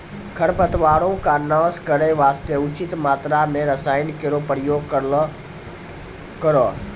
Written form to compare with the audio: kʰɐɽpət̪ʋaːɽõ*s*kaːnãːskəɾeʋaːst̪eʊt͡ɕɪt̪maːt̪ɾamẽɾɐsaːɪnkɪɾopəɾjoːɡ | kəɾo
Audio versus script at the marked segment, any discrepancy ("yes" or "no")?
yes